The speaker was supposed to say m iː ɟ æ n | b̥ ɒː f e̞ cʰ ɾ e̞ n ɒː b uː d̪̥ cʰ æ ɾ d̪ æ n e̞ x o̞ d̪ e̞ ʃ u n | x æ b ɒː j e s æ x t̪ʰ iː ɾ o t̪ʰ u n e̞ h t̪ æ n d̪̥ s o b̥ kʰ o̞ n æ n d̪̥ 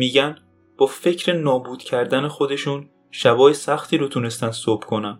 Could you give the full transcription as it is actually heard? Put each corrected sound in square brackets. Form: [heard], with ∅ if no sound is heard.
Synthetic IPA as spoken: m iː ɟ æ n | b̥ ɒː f e̞ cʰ ɾ e̞ n ɒː b uː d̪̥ cʰ æ ɾ d̪ æ n e̞ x o̞ d̪ e̞ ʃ u n | [ʃ] æ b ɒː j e s æ x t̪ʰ iː ɾ o t̪ʰ u n e̞ [s] t̪ æ n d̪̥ s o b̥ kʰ o̞ n æ n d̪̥